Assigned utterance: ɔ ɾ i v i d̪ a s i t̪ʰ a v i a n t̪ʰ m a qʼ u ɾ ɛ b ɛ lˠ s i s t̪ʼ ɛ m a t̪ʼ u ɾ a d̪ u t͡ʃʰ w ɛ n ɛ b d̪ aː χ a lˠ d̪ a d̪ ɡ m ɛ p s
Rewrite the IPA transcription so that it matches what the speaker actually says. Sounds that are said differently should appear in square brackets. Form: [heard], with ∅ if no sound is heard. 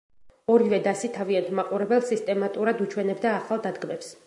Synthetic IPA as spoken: ɔ ɾ i v [ɛ] d̪ a s i t̪ʰ a v i a n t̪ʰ m a qʼ u ɾ ɛ b ɛ lˠ s i s t̪ʼ ɛ m a t̪ʼ u ɾ a d̪ u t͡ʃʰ w ɛ n ɛ b d̪ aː χ a lˠ d̪ a d̪ ɡ m ɛ p s